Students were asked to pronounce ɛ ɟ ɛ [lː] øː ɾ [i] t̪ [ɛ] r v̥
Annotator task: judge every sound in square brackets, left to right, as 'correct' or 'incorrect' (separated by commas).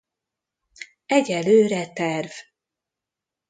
incorrect, incorrect, correct